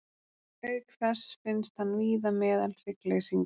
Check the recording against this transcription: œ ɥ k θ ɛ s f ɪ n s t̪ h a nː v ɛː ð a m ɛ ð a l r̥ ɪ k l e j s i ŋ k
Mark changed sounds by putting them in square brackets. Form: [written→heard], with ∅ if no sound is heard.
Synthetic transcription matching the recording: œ ɥ k θ ɛ s f ɪ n s t̪ h a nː v [ɛː→iː] ð a m [ɛ→ɛː] ð a l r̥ ɪ k l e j s i ŋ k